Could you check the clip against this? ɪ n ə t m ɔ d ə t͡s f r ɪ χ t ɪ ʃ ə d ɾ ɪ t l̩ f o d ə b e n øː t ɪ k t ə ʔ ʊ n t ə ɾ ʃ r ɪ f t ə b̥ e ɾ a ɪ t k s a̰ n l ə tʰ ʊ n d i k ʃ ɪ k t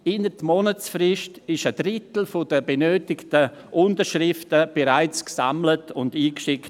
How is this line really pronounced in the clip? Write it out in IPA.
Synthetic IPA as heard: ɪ n ə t m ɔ n ə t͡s f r ɪ ʃ t ɪ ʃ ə d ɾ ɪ t l̩ f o d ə b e n øː t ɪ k t ə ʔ ʊ n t ə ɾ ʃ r ɪ f t ə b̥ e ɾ a ɪ t͡s k s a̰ m l ə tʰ ʊ n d iː k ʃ ɪ k t